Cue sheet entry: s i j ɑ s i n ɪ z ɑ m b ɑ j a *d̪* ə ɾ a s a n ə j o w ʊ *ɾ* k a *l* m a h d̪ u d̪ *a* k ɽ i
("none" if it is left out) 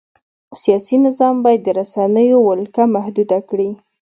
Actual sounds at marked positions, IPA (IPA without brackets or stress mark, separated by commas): d̪ː, l, none, a